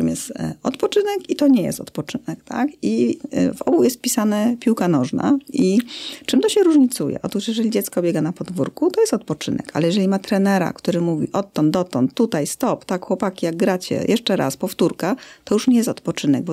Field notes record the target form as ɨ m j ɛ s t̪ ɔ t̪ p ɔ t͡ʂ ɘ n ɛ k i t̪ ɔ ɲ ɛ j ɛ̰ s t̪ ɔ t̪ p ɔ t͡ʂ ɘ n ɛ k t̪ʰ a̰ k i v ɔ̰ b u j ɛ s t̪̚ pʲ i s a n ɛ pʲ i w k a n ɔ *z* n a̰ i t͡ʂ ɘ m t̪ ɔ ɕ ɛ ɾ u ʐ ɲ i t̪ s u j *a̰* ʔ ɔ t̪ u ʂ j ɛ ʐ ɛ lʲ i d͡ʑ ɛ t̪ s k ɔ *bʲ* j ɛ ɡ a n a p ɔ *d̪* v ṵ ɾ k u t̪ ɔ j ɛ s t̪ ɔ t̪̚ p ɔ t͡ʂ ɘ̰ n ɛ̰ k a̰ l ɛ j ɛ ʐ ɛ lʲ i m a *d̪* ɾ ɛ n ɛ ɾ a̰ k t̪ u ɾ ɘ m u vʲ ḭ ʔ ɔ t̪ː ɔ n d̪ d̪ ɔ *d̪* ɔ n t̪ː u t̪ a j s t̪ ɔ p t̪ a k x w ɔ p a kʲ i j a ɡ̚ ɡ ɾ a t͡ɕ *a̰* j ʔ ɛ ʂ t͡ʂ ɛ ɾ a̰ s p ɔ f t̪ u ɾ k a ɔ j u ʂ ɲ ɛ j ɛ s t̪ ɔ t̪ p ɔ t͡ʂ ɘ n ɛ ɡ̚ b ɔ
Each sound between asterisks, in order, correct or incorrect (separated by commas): incorrect, incorrect, correct, correct, incorrect, incorrect, incorrect